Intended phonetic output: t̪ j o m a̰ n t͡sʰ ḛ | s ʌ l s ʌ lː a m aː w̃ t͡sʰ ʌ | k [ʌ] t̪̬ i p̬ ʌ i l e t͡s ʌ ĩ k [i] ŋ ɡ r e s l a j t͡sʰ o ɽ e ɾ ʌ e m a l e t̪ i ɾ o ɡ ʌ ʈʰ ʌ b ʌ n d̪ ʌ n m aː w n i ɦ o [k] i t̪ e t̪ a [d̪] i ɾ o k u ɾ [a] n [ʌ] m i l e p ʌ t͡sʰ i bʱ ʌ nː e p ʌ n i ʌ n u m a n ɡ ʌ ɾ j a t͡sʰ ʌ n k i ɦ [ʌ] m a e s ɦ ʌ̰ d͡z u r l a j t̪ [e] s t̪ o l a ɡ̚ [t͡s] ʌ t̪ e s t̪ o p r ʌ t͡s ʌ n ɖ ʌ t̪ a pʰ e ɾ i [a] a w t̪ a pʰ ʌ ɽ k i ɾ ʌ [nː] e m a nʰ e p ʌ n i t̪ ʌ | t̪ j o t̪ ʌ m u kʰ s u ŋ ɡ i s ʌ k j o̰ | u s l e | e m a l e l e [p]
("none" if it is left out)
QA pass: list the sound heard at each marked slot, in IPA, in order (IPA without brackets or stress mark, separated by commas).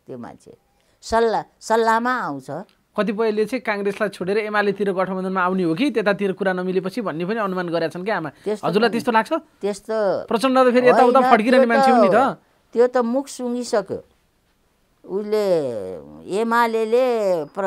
ʌ, a, k, t̪, a, ʌ, a, e, t͡sʰ, e, n, p